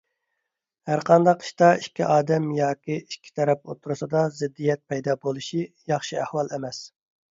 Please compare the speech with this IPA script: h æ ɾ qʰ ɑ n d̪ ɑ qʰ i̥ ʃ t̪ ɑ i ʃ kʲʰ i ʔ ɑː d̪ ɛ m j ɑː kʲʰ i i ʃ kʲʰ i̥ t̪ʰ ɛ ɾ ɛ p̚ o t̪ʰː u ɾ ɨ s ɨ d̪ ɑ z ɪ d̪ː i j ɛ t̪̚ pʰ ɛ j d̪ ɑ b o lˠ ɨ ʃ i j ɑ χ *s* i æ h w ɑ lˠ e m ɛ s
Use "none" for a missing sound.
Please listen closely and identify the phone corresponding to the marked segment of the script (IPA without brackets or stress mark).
ʃ